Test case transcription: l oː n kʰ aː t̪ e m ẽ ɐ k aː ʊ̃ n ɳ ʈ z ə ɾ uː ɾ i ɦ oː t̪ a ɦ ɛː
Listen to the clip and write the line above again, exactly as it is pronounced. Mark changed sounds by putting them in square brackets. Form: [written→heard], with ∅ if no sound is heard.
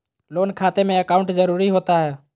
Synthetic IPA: l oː n kʰ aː t̪ e m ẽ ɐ k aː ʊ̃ [n→∅] ɳ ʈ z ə ɾ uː ɾ i ɦ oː t̪ a ɦ ɛː